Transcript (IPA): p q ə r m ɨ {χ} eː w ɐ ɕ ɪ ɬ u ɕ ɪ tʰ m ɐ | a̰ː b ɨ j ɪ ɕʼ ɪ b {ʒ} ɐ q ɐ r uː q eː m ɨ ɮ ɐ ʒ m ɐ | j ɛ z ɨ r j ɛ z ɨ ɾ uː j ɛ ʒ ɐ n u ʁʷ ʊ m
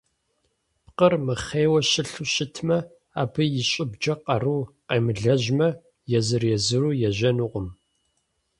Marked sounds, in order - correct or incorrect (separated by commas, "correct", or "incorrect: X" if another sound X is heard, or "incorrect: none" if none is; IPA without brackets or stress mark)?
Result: correct, incorrect: d͡ʒ